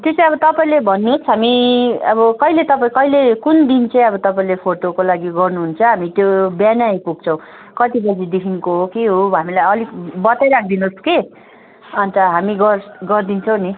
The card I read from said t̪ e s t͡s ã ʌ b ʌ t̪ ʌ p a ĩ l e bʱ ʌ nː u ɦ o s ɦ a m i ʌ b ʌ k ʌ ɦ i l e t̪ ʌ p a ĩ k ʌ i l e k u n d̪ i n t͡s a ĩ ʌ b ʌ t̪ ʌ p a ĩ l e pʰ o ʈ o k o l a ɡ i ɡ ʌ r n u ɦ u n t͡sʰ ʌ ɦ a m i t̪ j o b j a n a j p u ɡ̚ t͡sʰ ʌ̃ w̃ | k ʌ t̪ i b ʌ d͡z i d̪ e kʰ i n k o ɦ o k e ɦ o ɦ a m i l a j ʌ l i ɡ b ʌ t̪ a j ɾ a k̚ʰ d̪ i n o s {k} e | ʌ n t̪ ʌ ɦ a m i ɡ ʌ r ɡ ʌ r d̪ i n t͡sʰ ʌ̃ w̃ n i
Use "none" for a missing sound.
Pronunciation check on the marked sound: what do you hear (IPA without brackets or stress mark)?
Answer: k